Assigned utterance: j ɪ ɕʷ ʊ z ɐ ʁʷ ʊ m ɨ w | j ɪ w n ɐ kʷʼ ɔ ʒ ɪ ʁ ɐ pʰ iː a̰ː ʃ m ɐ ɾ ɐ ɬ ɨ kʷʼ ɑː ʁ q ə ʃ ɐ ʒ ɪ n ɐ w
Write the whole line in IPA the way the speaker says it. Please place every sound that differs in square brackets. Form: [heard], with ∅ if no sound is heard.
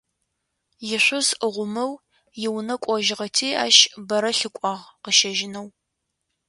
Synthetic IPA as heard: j ɪ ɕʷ ʊ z [ə] ʁʷ ʊ m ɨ w | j ɪ w n ɐ kʷʼ ɔ ʒ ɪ ʁ ɐ [tʰ] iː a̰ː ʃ [b] ɐ ɾ ɐ ɬ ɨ kʷʼ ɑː ʁ q ə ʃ ɐ ʒ ɪ n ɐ w